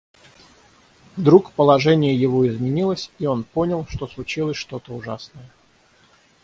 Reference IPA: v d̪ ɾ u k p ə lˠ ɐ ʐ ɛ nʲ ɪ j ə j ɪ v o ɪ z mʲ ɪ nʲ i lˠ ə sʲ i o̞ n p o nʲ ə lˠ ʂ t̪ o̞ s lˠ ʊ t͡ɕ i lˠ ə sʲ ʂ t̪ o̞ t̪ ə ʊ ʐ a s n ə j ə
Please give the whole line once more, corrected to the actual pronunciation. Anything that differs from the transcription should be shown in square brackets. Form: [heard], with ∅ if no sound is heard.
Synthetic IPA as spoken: v d̪ ɾ u k p ə lˠ ɐ ʐ ɛ nʲ ɪ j ə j ɪ v o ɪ z mʲ ɪ nʲ i lˠ ə sʲ i o̞ n p o nʲ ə lˠ ʂ t̪ o̞ s lˠ ʊ t͡ɕ i lˠ ə sʲ ʂ t̪ o̞ t̪ ə ʊ ʐ a s n ə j ə